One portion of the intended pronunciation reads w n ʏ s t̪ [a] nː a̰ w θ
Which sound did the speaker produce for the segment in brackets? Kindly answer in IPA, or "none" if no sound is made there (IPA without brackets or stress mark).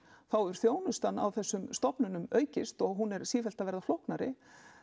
a